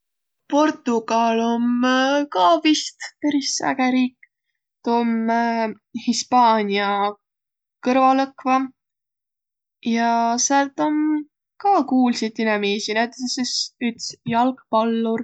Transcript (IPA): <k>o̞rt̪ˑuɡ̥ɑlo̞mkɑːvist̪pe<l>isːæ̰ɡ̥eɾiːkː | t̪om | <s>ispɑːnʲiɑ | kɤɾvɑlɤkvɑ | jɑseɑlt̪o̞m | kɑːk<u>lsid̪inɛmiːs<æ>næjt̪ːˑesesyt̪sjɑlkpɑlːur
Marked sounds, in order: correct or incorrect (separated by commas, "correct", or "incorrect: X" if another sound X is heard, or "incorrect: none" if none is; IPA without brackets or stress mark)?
incorrect: p, incorrect: ɾ, incorrect: h, incorrect: uː, incorrect: i